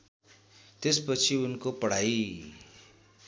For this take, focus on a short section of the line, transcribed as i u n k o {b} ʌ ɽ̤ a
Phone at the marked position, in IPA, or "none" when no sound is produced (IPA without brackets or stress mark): p